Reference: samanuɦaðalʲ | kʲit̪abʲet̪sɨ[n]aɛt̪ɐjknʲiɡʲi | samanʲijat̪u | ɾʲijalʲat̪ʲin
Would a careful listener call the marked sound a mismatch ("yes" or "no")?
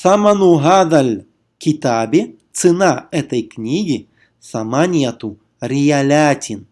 no